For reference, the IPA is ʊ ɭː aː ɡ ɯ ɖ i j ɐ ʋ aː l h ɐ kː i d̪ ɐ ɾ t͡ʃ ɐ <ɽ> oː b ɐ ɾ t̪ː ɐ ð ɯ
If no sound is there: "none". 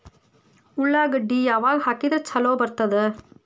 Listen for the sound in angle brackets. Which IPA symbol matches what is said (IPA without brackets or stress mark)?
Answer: l